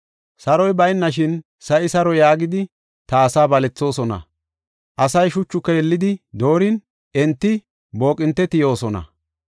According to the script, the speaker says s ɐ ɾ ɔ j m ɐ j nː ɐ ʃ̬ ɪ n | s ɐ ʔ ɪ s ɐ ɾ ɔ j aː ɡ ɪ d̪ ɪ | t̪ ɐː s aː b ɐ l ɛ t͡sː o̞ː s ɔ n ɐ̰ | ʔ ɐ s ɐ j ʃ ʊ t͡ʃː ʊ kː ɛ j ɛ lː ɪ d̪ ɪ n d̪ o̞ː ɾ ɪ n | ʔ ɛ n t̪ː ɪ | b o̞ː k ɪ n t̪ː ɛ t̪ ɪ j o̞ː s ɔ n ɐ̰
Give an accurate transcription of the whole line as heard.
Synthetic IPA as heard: s ɐ ɾ ɔ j b ɐ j nː ɐ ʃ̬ ɪ n | s ɐ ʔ ɪ s ɐ ɾ ɔ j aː ɡ ɪ d̪ ɪ | t̪ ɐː s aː b ɐ l ɛ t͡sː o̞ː s ɔ n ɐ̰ | ʔ ɐ s ɐ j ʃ ʊ t͡ʃː ʊ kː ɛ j ɛ lː ɪ d̪ ɪ d̪ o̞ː ɾ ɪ n | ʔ ɛ n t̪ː ɪ | b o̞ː kʼ ɪ n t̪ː ɛ t̪ ɪ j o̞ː s ɔ n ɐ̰